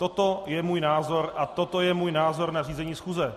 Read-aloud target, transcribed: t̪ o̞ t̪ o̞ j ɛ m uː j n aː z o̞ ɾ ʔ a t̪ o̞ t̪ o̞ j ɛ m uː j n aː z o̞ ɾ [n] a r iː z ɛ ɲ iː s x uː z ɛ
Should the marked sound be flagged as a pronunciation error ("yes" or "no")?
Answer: no